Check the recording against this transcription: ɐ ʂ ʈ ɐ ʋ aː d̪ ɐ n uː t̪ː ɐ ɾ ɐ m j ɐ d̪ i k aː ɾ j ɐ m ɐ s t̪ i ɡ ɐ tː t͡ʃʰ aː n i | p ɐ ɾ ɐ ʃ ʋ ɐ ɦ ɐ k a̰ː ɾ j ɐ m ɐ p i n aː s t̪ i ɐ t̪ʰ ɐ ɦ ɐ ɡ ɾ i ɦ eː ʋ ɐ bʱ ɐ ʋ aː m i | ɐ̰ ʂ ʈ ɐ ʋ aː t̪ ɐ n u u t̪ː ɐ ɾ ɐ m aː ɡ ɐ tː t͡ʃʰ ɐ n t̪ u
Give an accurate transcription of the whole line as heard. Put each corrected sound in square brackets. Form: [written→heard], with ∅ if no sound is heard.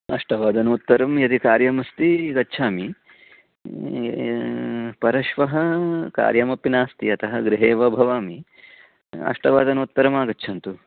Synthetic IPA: ɐ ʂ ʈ ɐ ʋ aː d̪ ɐ n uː t̪ː ɐ ɾ ɐ m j ɐ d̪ i k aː ɾ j ɐ m ɐ s t̪ i ɡ ɐ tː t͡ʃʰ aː [n→m] i | p ɐ ɾ ɐ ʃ ʋ ɐ ɦ ɐ k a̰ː ɾ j ɐ m ɐ p i n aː s t̪ i ɐ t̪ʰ ɐ ɦ ɐ ɡ ɾ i ɦ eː ʋ ɐ bʱ ɐ ʋ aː m i | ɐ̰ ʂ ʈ ɐ ʋ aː [t̪→d̪] ɐ n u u t̪ː ɐ ɾ ɐ m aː ɡ ɐ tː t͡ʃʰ ɐ n t̪ u